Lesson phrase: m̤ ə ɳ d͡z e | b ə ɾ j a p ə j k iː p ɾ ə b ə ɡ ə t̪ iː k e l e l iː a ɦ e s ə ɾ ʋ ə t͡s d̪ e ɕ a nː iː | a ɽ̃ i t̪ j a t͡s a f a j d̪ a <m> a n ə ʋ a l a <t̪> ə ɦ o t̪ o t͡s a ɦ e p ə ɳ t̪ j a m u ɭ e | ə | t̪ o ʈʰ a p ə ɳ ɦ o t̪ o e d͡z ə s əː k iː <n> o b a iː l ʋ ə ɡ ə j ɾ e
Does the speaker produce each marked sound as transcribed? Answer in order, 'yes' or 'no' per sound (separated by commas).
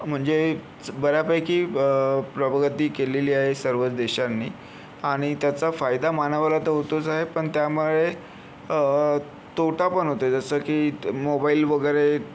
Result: yes, yes, no